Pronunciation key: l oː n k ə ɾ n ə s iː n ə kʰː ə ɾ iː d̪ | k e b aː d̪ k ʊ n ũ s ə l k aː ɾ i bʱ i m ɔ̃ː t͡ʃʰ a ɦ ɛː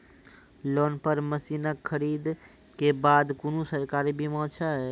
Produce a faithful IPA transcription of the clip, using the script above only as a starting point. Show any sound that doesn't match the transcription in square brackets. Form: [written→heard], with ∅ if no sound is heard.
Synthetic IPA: l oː n [k→p] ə ɾ [n→m] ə s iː n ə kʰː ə ɾ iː d̪ | k e b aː d̪ k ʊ n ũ s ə [l→ɾ] k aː ɾ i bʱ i m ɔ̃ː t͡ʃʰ a ɦ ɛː